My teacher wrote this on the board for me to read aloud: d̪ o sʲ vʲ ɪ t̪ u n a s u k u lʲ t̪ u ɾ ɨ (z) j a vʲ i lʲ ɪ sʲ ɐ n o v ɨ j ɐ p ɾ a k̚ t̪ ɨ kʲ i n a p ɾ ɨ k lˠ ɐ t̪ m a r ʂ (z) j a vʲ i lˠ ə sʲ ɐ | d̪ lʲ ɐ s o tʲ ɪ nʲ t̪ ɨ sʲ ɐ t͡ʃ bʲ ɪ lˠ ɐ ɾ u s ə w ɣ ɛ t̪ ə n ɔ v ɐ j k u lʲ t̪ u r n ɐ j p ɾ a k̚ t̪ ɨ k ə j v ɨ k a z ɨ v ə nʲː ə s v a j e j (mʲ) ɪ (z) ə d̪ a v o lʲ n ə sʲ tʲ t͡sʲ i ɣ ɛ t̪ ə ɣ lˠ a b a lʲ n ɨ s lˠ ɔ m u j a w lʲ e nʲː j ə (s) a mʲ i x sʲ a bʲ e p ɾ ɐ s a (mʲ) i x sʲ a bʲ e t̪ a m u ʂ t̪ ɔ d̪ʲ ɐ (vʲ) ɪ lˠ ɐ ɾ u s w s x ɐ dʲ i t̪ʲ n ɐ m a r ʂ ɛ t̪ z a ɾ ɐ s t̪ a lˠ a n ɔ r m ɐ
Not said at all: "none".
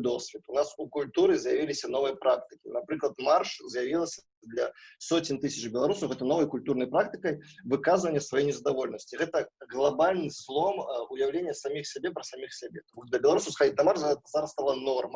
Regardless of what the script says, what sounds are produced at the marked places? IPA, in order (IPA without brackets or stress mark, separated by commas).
z, z, nʲ, z, s, mʲ, bʲ